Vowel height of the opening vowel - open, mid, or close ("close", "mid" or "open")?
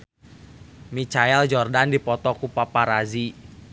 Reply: close